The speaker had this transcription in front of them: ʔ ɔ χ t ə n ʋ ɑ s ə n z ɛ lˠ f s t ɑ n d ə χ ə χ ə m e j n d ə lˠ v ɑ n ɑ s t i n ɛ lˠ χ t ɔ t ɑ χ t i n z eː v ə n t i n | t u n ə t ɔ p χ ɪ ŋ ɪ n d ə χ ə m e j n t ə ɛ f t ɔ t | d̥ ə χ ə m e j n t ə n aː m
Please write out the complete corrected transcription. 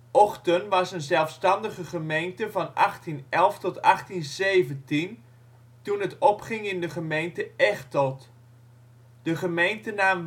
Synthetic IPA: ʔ ɔ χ t ə n ʋ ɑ s ə n z ɛ lˠ f s t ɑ n d ə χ ə χ ə m e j n t ə v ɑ n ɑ χ t i n ɛ lˠ f t ɔ t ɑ χ t i n z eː v ə n t i n | t u n ə t ɔ p χ ɪ ŋ ɪ n d ə χ ə m e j n t ə ɛ χ t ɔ t | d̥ ə χ ə m e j n t ə n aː m